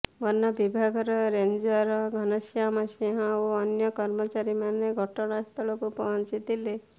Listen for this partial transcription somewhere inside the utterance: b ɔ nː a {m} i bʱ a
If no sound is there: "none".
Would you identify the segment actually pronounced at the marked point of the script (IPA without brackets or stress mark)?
b